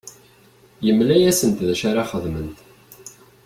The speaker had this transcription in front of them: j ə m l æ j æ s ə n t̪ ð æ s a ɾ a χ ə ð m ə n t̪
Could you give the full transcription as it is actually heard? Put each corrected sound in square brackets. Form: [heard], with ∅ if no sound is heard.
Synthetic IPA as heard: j ə m l æ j æ s ə n t̪ ð æ [ʃ] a ɾ a χ ə ð m ə n t̪